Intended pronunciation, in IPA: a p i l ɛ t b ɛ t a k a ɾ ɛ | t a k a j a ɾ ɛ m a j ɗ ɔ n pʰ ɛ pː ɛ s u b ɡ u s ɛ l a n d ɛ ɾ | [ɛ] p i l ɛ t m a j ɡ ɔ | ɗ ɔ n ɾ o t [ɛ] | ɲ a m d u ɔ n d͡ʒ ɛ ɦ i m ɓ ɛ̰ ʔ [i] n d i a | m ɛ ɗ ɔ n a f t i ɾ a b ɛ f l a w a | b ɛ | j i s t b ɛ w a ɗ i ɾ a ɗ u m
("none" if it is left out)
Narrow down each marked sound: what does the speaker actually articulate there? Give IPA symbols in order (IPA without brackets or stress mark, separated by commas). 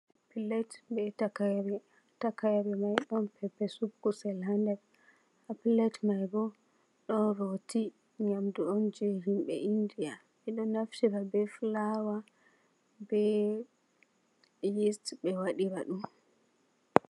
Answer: a, i, i